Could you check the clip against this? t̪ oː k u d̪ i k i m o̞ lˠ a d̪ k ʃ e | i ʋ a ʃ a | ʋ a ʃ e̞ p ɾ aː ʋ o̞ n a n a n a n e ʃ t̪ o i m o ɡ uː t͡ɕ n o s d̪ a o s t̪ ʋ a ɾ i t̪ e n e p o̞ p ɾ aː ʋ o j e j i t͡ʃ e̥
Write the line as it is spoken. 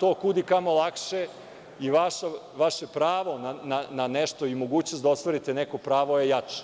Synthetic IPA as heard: t̪ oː k u d̪ i k a m o̞ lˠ a k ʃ e | i ʋ a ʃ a | ʋ a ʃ e̞ p ɾ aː ʋ o̞ n a n a n a n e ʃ t̪ o i m o ɡ uː t͡ɕ n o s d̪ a o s t̪ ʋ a ɾ i t̪ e n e k o̞ p ɾ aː ʋ o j e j a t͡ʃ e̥